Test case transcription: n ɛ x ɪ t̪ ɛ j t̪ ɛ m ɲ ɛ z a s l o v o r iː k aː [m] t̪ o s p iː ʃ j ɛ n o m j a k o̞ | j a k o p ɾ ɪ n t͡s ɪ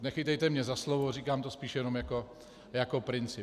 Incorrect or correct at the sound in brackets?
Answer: correct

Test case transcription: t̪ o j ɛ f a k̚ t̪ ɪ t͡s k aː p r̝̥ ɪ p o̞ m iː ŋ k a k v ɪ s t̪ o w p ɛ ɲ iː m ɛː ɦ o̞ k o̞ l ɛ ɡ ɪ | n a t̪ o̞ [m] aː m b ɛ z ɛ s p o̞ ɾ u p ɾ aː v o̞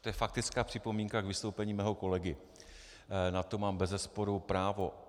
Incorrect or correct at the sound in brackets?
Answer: correct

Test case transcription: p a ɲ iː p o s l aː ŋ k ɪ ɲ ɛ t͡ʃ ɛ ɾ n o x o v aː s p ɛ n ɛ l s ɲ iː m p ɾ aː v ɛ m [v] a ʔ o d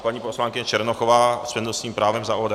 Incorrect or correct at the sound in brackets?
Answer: incorrect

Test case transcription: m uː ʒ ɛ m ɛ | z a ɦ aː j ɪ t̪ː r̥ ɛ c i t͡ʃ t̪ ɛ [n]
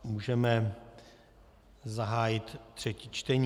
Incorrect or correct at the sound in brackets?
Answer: incorrect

